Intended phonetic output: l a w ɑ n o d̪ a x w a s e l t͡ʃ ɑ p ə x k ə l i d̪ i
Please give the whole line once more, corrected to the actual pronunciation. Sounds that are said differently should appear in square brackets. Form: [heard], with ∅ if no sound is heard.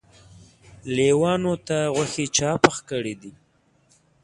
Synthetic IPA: l [e] w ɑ n o [t̪] a [ɣ] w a [x] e [∅] t͡ʃ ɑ p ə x k ə [ɽ] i d̪ i